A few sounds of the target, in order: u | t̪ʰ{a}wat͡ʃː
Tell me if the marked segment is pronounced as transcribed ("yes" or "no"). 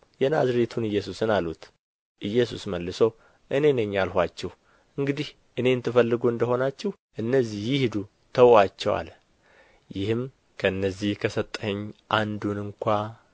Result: no